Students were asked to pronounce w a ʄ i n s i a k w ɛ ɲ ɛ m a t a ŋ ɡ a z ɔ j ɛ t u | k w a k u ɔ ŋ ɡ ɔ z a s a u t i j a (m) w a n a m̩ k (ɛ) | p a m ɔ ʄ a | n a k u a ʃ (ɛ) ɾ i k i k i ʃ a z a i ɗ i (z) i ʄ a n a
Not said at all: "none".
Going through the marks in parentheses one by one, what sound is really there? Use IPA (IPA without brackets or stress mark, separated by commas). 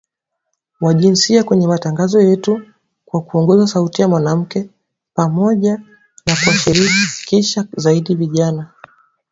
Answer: m, ɛ, i, v